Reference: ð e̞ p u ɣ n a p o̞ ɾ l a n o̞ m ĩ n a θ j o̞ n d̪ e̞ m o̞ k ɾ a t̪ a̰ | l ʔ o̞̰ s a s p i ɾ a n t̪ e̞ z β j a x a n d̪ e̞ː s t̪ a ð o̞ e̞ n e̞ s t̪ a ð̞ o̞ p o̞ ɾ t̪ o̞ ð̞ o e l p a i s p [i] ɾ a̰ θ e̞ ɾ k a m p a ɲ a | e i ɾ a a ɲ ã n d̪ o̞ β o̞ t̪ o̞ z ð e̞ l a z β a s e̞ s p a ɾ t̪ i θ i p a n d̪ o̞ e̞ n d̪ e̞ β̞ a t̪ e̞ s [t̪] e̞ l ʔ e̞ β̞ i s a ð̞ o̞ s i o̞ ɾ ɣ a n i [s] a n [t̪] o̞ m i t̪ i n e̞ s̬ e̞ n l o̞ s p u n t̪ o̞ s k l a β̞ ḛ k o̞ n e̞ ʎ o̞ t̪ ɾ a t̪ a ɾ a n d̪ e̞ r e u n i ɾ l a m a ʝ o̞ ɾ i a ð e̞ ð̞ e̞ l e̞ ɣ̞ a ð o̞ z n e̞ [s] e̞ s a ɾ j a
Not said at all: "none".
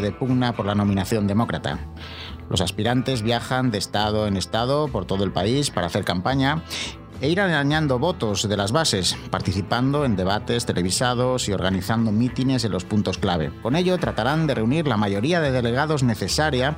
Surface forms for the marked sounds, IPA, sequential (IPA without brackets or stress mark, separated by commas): a, t̪, θ, d̪, θ